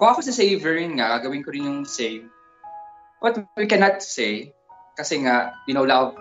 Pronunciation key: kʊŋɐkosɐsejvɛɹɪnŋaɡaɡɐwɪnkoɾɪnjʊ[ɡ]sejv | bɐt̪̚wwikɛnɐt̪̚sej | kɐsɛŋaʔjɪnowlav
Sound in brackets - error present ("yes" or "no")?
yes